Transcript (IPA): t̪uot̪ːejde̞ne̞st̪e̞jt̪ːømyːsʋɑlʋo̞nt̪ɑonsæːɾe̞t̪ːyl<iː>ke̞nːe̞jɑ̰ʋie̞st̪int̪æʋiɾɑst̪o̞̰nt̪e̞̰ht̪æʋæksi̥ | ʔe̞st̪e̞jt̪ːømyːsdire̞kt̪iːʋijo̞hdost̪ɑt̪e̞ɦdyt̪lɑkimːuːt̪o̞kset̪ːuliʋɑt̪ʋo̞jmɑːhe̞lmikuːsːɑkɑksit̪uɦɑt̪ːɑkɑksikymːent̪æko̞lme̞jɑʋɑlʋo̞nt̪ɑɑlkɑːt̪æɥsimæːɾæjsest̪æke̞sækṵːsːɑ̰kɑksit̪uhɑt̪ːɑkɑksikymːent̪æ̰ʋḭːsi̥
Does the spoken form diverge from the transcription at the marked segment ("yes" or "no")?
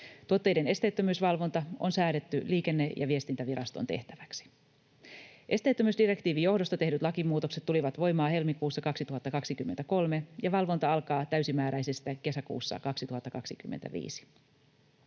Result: no